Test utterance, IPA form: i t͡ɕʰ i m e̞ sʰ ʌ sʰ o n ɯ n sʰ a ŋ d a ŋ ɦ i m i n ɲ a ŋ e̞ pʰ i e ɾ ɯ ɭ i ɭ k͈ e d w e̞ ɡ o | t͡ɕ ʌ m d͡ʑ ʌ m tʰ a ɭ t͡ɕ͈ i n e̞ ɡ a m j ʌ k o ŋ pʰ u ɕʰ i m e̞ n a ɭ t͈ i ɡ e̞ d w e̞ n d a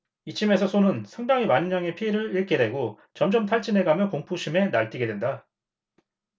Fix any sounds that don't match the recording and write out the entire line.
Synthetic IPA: i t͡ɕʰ i m e̞ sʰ ʌ sʰ o n ɯ n sʰ a ŋ d a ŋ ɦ i m a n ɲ a ŋ e̞ pʰ i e ɾ ɯ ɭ i ɭ k͈ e d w e̞ ɡ o | t͡ɕ ʌ m d͡ʑ ʌ m tʰ a ɭ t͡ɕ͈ i n e̞ ɡ a m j ʌ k o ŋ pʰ u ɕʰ i m e̞ n a ɭ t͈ i ɡ e̞ d w e̞ n d a

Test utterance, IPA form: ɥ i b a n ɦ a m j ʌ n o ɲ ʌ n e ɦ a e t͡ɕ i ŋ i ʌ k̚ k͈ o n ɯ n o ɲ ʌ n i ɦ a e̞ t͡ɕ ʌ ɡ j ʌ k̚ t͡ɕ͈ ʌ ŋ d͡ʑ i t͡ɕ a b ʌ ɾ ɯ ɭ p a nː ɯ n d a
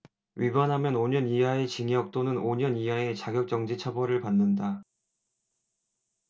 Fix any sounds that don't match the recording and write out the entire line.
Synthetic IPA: ɥ i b a n ɦ a m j ʌ n o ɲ ʌ n i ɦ a e t͡ɕ i ŋ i ʌ k̚ t͈ o n ɯ n o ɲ ʌ n i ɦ a e̞ t͡ɕ a ɡ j ʌ k̚ t͡ɕ͈ ʌ ŋ d͡ʑ i t͡ɕʰ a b ʌ ɾ ɯ ɭ p a nː ɯ n d a

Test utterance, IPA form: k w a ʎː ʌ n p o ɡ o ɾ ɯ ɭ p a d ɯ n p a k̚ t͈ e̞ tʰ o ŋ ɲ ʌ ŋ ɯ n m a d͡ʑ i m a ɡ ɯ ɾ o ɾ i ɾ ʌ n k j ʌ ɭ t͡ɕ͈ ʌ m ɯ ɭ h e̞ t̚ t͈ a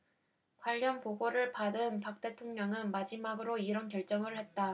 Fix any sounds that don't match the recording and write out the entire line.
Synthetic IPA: k w a ʎː ʌ n p o ɡ o ɾ ɯ ɭ p a d ɯ n p a k̚ t͈ e̞ tʰ o ŋ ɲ ʌ ŋ ɯ n m a d͡ʑ i m a ɡ ɯ ɾ o i ɾ ʌ n k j ʌ ɭ t͡ɕ͈ ʌ ŋ ɯ ɭ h e̞ t̚ t͈ a

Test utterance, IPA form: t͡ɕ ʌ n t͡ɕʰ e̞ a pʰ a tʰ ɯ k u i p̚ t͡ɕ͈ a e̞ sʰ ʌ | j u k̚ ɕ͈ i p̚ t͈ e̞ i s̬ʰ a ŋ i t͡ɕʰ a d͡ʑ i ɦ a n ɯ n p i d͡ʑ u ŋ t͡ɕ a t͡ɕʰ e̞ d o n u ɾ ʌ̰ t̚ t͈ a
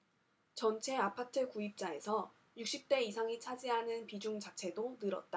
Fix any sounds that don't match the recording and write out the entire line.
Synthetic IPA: t͡ɕ ʌ n t͡ɕʰ e̞ a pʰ a tʰ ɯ k u i p̚ t͡ɕ͈ a e̞ sʰ ʌ | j u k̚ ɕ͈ i p̚ t͈ e̞ i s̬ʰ a ŋ i t͡ɕʰ a d͡ʑ i ɦ a n ɯ n p i d͡ʑ u ŋ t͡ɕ a t͡ɕʰ e̞ d o n ɯ ɾ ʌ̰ t̚ t͈ a

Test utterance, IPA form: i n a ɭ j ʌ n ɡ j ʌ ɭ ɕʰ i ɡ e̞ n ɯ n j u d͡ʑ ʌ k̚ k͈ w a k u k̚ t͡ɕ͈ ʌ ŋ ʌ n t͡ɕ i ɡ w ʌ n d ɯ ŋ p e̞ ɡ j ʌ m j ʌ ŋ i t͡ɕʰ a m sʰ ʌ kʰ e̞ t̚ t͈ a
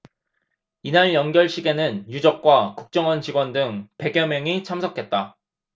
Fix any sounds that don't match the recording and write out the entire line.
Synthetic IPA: i n a ɭ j ʌ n ɡ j ʌ ɭ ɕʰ i ɡ e̞ n ɯ n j u d͡ʑ ʌ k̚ k͈ w a k u k̚ t͡ɕ͈ ʌ ŋ ʌ n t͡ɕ i ɡ w ʌ n d ɯ ŋ p e̞ ɡ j ʌ m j ʌ ŋ i t͡ɕʰ a m sʰ ʌ kʰ e̞ t̚ t͈ a

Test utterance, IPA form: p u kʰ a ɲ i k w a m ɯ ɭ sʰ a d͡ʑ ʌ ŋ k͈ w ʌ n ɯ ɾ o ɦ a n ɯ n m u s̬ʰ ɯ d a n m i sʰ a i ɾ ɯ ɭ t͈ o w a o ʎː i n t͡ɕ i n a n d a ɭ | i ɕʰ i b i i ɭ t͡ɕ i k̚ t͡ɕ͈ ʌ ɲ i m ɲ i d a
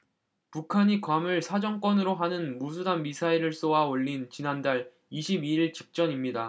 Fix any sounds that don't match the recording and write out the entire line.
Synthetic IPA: p u kʰ a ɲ i k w a m ɯ ɭ sʰ a d͡ʑ ʌ ŋ k͈ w ʌ n ɯ ɾ o ɦ a n ɯ n m u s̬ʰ u d a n m i sʰ a i ɾ ɯ ɭ s͈ o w a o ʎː i n t͡ɕ i n a n d a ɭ | i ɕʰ i b i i ɭ t͡ɕ i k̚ t͡ɕ͈ ʌ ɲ i m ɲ i d a

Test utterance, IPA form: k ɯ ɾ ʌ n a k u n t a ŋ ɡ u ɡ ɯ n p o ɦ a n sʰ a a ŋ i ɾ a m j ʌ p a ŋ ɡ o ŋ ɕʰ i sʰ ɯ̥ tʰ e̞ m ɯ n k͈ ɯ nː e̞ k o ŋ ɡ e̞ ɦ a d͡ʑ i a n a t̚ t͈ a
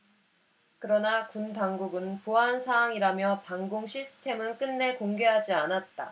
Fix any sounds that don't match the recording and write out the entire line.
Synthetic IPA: k ɯ ɾ ʌ n a k u n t a ŋ ɡ u ɡ ɯ n p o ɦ a n sʰ a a ŋ i ɾ a m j ʌ p a ŋ ɡ o ŋ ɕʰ i sʰ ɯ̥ tʰ e̞ m ɯ n k͈ ɯ nː e̞ k o ŋ ɡ e̞ ɦ a d͡ʑ i a n a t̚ t͈ a

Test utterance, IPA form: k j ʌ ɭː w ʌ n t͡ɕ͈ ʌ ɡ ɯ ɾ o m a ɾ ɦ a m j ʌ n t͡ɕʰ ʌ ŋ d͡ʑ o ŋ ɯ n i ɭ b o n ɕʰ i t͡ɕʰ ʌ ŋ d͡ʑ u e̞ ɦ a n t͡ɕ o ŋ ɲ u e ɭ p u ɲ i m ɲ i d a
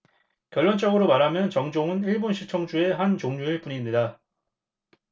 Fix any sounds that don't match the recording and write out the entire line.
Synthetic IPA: k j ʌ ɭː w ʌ n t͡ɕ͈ ʌ ɡ ɯ ɾ o m a ɾ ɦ a m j ʌ n t͡ɕ ʌ ŋ d͡ʑ o ŋ ɯ n i ɭ b o n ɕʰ i t͡ɕʰ ʌ ŋ d͡ʑ u e̞ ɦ a n t͡ɕ o ŋ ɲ u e ɭ p u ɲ i m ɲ i d a

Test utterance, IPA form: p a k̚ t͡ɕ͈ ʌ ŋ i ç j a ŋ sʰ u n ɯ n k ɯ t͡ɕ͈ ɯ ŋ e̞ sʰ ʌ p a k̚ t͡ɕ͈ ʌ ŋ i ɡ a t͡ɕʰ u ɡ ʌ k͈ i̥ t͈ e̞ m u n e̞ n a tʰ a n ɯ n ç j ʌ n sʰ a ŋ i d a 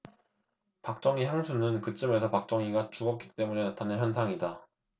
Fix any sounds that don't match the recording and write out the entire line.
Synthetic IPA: p a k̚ t͡ɕ͈ ʌ ŋ i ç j a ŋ sʰ u n ɯ n k ɯ t͡ɕ͈ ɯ m e̞ sʰ ʌ p a k̚ t͡ɕ͈ ʌ ŋ i ɡ a t͡ɕ u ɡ ʌ k͈ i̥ t͈ e̞ m u n e̞ n a tʰ a n ɯ n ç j ʌ n sʰ a ŋ i d a

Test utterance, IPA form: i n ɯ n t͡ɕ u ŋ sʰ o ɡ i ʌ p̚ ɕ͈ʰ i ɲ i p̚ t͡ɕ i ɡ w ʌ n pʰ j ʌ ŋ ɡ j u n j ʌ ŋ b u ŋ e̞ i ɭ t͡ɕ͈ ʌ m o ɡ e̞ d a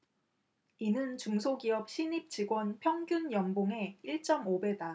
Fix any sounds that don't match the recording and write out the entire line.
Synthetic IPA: i n ɯ n t͡ɕ u ŋ sʰ o ɡ i ʌ p̚ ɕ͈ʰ i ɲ i p̚ t͡ɕ i ɡ w ʌ n pʰ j ʌ ŋ ɡ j u n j ʌ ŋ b o ŋ e̞ i ɭ t͡ɕ͈ ʌ m o b e̞ d a

